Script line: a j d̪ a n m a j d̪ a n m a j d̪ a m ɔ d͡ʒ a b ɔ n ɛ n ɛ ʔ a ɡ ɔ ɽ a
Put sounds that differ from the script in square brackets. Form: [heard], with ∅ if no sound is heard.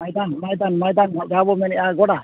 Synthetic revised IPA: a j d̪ a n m a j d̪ a n m a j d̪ a [n] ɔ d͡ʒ a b ɔ [m] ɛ n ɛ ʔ a ɡ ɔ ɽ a